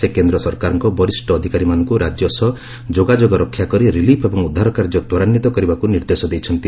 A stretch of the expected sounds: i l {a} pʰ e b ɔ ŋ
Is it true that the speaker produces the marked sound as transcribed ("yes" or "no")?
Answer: no